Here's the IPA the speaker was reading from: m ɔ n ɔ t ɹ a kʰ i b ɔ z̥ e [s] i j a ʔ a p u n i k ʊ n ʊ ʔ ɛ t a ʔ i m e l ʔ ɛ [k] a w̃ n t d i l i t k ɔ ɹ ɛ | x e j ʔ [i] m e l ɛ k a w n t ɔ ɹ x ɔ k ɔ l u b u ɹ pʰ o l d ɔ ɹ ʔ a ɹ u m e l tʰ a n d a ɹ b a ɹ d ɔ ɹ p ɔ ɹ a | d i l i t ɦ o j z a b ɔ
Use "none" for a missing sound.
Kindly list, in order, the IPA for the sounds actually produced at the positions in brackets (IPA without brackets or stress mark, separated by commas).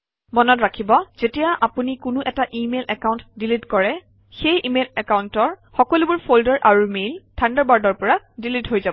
t, k, i